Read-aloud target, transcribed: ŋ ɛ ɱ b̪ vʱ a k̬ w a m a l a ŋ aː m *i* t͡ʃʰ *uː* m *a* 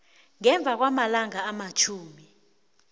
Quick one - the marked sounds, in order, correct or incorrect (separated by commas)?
incorrect, correct, incorrect